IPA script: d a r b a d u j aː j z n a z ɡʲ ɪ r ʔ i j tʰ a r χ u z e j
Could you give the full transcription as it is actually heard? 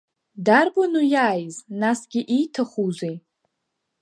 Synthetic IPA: d a r b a n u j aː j z n a s ɡʲ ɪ ʔ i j tʰ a χ u z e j